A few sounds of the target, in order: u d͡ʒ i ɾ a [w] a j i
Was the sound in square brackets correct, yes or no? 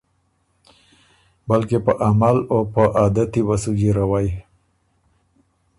yes